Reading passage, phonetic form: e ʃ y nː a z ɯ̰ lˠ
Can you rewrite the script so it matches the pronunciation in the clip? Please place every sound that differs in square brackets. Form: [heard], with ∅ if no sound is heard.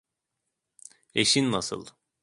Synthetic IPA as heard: e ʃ [i] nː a [s] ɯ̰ lˠ